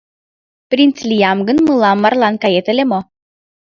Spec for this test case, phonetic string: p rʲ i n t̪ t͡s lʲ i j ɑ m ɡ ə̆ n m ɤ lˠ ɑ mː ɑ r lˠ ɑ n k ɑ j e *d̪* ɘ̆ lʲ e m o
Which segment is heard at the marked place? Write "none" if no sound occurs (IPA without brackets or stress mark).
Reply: t̪